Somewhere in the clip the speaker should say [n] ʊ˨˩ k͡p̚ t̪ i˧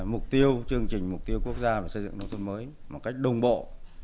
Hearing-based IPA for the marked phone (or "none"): m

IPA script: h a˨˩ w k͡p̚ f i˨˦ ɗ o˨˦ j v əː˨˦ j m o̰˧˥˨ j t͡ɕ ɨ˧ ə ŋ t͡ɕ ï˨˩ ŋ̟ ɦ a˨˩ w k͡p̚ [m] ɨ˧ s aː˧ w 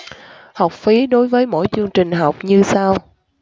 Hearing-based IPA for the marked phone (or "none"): ɲ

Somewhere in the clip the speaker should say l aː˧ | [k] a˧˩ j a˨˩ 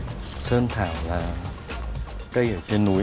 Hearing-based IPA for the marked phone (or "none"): k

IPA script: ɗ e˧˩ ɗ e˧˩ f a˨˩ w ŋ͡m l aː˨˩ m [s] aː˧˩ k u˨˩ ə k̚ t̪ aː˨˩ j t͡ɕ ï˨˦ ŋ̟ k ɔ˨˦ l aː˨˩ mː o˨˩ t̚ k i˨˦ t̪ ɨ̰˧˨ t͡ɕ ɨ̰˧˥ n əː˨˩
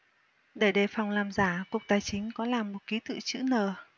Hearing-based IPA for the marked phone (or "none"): z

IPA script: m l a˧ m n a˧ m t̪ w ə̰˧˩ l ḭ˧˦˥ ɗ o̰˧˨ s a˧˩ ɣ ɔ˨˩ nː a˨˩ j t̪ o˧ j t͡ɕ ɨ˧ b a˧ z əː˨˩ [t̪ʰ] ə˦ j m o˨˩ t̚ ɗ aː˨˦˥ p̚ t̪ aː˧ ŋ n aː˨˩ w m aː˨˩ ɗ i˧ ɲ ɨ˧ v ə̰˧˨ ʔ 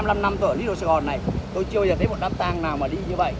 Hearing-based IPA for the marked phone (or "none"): t̪ʰ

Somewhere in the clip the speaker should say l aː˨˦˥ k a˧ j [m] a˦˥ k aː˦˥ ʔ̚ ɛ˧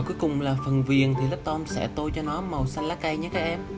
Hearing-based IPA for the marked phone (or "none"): ɲ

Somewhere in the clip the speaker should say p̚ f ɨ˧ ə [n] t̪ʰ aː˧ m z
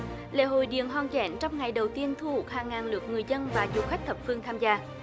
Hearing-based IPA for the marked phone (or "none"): ŋ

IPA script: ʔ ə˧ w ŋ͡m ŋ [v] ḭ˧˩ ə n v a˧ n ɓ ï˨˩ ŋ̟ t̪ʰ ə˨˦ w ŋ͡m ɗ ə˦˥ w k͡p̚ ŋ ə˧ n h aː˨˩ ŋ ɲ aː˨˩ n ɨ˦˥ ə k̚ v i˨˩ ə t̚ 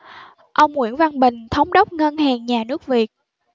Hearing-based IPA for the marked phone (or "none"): w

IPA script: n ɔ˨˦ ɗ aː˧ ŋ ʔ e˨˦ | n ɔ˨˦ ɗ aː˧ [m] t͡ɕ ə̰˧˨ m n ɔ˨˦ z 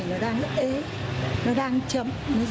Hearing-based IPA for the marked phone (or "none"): ŋ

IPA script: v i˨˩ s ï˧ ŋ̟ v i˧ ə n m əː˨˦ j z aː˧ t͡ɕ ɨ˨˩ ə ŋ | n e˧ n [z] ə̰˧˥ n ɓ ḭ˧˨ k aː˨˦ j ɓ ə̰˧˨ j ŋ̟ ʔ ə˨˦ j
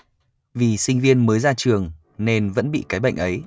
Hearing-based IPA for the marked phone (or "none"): v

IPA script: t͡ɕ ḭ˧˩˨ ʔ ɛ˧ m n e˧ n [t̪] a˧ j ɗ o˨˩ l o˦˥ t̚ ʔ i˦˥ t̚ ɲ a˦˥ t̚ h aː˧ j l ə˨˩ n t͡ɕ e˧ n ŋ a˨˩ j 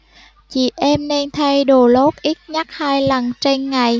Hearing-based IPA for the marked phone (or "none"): t̪ʰ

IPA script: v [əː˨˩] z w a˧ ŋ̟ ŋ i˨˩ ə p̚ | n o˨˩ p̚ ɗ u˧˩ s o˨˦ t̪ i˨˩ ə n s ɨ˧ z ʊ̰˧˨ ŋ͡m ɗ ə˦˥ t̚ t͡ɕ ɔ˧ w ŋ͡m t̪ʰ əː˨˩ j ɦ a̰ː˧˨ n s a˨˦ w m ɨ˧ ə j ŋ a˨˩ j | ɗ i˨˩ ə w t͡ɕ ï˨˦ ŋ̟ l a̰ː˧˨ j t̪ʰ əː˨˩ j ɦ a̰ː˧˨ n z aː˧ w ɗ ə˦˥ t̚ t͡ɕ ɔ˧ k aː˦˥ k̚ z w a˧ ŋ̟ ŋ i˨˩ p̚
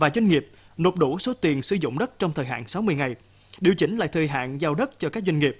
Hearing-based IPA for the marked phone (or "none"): aː˨˩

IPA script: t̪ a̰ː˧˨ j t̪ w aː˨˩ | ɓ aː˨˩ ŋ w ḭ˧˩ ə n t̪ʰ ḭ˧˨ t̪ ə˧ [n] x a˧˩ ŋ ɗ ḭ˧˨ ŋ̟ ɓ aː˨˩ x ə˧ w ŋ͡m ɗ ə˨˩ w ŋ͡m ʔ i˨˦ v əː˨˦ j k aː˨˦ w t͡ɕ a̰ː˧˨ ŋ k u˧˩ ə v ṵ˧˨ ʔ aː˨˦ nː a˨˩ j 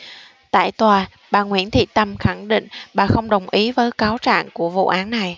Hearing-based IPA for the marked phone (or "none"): m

